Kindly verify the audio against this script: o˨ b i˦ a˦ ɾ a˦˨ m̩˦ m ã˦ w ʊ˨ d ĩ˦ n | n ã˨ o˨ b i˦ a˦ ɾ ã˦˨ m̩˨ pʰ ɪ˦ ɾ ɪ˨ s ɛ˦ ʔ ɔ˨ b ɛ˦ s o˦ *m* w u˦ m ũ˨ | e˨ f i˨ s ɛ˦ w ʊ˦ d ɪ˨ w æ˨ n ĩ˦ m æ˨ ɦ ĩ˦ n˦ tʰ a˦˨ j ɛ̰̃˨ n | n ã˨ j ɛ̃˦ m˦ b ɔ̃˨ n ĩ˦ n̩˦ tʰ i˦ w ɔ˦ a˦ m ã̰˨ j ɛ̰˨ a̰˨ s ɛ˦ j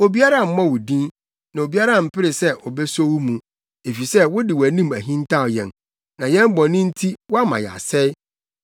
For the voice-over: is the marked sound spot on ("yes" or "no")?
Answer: no